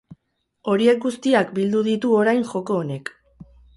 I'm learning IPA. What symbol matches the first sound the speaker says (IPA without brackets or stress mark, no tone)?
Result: o̞